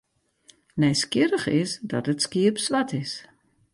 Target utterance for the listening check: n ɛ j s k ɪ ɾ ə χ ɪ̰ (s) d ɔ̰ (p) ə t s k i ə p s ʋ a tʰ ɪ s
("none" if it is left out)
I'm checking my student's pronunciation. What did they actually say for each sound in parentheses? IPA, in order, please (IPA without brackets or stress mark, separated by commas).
s, t